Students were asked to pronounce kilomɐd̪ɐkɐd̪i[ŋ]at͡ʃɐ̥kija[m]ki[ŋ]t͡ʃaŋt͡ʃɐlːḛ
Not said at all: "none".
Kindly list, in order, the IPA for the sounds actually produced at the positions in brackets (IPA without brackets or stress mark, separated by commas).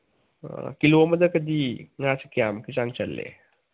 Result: ŋ, m, none